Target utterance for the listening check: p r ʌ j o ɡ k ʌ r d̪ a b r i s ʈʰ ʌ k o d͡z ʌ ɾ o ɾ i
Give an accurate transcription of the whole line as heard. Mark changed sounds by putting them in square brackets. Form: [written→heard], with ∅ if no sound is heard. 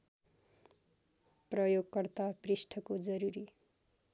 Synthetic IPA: p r ʌ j o ɡ k ʌ r [d̪→t̪] a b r i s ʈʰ ʌ k o d͡z ʌ ɾ [o→u] ɾ i